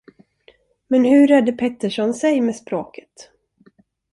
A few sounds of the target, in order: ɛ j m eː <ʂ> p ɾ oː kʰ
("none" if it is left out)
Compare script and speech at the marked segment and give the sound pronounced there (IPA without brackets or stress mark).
s